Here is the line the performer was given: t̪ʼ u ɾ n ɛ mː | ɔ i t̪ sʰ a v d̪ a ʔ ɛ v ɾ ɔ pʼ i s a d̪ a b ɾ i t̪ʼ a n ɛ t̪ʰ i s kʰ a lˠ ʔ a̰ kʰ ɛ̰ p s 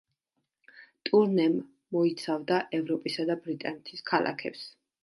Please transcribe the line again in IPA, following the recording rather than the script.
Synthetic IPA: t̪ʼ u ɾ n ɛ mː | ɔ i t̪ sʰ a v d̪ a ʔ ɛ v ɾ ɔ pʼ i s a d̪ a b ɾ i t̪ʼ a n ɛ t̪ʰ i s kʰ a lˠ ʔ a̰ kʰ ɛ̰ p s